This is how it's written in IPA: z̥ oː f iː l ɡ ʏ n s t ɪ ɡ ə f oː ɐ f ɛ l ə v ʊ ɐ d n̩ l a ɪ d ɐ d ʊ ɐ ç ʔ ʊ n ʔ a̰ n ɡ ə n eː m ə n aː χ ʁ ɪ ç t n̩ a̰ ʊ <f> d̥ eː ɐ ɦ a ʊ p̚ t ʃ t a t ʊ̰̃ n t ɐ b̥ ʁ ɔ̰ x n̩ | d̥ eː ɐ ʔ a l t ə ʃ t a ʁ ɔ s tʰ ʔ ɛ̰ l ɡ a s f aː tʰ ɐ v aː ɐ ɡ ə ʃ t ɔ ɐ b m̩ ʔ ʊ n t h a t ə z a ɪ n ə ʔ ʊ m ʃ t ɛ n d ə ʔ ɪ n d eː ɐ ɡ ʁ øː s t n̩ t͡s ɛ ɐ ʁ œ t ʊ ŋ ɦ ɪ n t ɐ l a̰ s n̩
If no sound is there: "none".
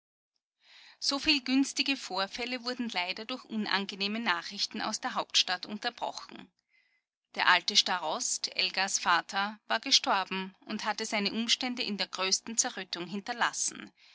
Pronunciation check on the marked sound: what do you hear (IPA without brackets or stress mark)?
s